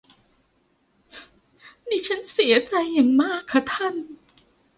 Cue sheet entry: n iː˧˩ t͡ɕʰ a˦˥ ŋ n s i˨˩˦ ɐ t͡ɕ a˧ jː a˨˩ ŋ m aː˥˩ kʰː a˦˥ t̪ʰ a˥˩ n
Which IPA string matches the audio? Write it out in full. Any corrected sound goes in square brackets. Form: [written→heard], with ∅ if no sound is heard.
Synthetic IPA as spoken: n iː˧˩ t͡ɕʰ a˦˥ [ŋ→∅] n s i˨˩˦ ɐ t͡ɕ a˧ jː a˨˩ ŋ m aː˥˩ kʰː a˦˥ t̪ʰ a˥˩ n